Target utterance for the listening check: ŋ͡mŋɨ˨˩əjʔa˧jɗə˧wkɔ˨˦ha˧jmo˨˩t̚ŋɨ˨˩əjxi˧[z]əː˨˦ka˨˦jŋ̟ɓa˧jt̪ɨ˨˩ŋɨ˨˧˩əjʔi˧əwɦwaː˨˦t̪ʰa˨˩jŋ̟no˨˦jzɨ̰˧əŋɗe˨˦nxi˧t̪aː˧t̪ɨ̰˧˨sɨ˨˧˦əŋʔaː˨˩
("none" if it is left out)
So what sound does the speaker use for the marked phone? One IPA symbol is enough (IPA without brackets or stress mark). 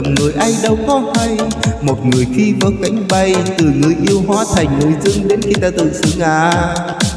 v